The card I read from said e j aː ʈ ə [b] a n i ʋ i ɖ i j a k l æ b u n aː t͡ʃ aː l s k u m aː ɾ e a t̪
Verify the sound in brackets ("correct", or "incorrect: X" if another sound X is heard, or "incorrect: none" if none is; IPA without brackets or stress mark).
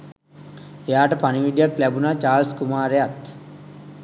incorrect: p